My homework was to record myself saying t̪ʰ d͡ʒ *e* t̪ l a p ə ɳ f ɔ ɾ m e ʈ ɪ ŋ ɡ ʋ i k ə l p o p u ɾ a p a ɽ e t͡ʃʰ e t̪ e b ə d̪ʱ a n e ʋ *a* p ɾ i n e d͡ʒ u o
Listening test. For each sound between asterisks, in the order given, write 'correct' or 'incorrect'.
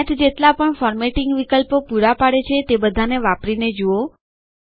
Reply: correct, correct

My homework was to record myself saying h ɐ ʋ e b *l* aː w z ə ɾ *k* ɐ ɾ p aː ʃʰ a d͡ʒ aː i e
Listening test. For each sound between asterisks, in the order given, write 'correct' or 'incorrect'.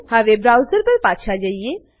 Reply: incorrect, incorrect

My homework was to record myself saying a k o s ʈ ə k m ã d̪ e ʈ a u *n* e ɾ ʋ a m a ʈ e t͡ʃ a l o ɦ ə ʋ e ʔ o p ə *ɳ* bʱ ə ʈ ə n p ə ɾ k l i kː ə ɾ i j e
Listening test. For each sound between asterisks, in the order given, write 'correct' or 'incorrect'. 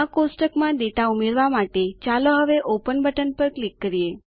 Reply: incorrect, incorrect

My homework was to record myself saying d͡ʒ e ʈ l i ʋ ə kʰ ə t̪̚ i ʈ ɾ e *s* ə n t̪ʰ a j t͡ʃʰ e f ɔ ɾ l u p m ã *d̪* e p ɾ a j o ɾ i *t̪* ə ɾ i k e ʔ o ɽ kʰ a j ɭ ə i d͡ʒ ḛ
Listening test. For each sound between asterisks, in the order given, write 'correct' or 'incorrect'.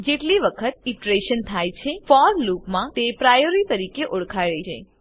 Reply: incorrect, incorrect, correct

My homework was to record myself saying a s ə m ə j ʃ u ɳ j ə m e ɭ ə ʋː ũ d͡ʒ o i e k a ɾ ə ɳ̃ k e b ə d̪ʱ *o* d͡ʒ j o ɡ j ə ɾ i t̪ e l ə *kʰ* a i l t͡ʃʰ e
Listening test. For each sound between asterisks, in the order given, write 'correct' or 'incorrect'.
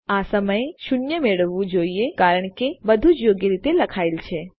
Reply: incorrect, correct

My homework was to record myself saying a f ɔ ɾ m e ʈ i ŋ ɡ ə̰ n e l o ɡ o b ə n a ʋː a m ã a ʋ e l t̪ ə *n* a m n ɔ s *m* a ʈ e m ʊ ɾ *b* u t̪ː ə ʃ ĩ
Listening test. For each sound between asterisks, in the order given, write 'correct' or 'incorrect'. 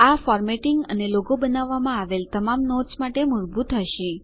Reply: incorrect, correct, correct

